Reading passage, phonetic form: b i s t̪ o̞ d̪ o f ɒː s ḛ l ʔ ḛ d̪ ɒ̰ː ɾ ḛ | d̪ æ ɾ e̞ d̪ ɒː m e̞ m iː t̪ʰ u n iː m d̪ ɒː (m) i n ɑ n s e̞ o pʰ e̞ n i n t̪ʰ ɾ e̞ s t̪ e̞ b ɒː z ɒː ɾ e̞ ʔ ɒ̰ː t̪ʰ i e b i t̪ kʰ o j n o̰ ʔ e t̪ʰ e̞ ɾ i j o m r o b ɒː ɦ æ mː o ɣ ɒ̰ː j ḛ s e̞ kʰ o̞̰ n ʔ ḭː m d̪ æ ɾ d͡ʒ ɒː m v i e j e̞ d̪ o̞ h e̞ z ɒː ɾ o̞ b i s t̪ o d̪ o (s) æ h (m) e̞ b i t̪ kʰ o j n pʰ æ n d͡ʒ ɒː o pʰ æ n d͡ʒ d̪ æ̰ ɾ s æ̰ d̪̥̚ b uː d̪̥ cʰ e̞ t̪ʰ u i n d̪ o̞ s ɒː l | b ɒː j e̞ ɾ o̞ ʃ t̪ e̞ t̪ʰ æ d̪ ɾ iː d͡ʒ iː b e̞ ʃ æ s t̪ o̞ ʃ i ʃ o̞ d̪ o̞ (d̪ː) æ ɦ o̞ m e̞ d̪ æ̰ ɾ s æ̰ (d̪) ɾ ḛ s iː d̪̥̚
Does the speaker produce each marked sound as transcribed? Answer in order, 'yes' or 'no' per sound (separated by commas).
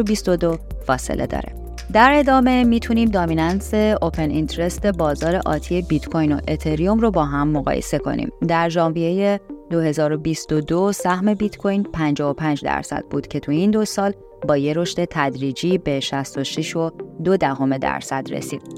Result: yes, yes, yes, no, yes